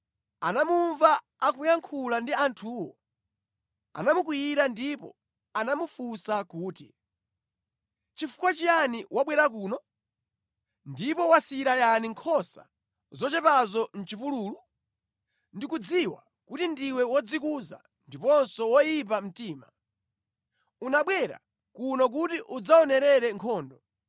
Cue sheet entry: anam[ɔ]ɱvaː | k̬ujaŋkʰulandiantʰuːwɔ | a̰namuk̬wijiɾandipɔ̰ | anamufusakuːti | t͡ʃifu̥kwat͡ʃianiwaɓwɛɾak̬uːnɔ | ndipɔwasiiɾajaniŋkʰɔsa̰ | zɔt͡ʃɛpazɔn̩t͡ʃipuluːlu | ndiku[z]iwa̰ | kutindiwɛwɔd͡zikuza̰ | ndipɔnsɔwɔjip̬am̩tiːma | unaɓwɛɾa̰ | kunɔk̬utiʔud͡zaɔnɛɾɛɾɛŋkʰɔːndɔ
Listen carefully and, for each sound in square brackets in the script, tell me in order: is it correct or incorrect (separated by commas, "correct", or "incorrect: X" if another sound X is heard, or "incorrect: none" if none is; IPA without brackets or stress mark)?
incorrect: u, incorrect: d͡z